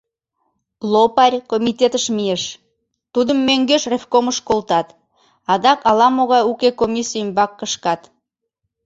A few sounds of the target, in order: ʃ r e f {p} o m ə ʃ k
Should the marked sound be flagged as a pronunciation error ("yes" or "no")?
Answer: yes